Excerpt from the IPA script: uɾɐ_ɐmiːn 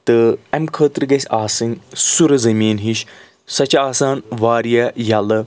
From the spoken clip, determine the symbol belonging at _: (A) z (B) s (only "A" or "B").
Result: A